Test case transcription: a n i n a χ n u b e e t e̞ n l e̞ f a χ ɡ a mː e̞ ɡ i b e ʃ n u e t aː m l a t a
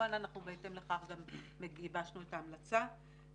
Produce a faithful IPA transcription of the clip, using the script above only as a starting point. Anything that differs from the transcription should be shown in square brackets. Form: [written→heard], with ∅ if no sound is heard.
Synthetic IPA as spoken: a n [i→a] n a χ n u b e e t e̞ [n→m] l e̞ [f→χ] a χ ɡ a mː e̞ ɡ i b [e→a] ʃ n u e t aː m l a [t→t͡s] a

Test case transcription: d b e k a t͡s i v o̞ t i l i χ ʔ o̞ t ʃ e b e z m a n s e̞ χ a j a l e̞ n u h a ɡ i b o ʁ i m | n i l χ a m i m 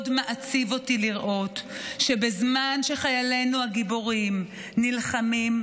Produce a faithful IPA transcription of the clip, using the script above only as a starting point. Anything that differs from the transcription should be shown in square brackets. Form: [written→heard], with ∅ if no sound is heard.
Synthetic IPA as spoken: d [b→m] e [k→ʔ] a t͡s i v o̞ t i l i [χ→ʁ] ʔ o̞ t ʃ e b e z m a n [s→ʃ] e̞ χ a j a l e̞ n u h a ɡ i b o ʁ i m | n i l χ a m i m

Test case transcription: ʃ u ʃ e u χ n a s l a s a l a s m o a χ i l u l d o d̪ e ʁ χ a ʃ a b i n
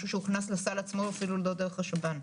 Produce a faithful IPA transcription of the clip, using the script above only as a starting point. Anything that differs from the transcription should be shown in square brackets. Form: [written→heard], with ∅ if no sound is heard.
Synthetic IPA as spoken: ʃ u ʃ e u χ n a s l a s a l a [s→t͡s] m o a [χ→f] i l u l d o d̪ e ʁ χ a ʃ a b [i→a] n

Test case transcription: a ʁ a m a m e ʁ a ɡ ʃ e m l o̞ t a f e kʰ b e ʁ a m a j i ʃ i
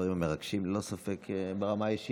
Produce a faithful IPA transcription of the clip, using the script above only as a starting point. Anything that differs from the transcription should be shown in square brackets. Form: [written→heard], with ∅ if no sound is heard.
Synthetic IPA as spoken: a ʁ [a→i] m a m e ʁ a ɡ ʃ [e→i] m l o̞ [t→s] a f e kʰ b e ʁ a m a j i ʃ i

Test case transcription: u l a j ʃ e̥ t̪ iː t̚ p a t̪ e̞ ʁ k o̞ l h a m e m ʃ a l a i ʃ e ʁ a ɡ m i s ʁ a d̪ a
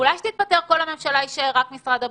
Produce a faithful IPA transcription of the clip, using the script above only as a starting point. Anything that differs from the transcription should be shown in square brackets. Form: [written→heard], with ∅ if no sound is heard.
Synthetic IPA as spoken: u l a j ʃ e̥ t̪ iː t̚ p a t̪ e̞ ʁ k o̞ l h a m e m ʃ a l a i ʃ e ʁ a [ɡ→k] m i s ʁ a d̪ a

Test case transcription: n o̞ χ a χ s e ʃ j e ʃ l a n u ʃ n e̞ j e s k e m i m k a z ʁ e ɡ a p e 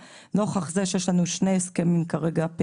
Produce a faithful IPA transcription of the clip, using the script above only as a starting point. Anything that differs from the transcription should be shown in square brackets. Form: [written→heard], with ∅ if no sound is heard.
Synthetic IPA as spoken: n o̞ χ a χ [s→z] e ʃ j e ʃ l a n u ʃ n e̞ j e s k e m i m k a [z→∅] ʁ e ɡ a p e

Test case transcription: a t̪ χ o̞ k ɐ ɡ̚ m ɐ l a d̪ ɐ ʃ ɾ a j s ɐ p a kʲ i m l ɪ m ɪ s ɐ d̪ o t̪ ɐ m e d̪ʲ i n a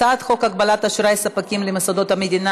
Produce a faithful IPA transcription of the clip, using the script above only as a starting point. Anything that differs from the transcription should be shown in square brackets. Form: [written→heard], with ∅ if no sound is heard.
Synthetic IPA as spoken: a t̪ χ o̞ k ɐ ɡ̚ [m→b] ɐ l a [d̪→t̪] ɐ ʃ ɾ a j s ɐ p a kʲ i m l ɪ m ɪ s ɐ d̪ o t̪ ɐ m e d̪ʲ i n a

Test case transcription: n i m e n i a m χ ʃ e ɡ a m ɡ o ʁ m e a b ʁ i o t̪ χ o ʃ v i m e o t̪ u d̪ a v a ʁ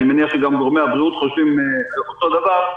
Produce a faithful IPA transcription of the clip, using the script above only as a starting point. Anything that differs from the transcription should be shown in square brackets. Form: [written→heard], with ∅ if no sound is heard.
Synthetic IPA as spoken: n i m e n i a [m→∅] χ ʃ e ɡ a m ɡ o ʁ m e a b ʁ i [o→u] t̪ χ o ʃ v i m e o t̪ [u→o] d̪ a v a ʁ

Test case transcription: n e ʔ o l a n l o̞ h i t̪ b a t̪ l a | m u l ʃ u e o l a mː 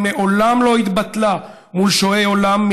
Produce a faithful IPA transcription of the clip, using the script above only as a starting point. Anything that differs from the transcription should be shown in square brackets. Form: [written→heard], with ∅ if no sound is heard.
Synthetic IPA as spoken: n e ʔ o l a [n→m] l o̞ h i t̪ b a t̪ l a | m u l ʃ [u→o] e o l a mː

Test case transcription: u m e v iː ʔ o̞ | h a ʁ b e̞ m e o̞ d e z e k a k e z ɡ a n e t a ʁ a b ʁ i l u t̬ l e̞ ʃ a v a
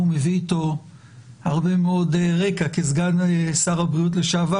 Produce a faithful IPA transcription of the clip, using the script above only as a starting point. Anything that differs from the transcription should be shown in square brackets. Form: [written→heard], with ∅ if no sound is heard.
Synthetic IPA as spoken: u m e v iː [ʔ→t] o̞ | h a ʁ b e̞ m e o̞ d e [z→ʁ] e k a k e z ɡ a n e [t→s] a ʁ a b ʁ i [l→∅] u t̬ l e̞ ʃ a v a

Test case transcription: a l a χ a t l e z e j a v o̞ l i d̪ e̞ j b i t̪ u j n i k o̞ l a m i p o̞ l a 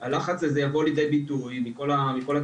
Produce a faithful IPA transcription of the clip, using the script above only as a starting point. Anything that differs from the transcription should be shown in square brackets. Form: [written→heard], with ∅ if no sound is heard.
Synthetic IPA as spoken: a l a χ a [t→t͡s] l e z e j a v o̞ l i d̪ e̞ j b i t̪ u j [n→m] i k o̞ l a m i [p→k] o̞ l a

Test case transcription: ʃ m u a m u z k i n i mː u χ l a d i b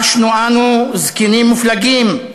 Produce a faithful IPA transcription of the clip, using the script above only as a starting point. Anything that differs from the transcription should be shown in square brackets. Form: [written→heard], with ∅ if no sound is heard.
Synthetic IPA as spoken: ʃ [m→n] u a [m→n] u z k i n i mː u [χ→f] l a [d→ɡ] i [b→m]

